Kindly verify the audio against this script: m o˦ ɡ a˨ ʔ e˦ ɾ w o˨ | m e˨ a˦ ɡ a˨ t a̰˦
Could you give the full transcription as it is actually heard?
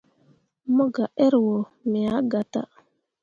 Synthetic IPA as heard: m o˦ ɡ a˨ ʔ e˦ ɾ w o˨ | m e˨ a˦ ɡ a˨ t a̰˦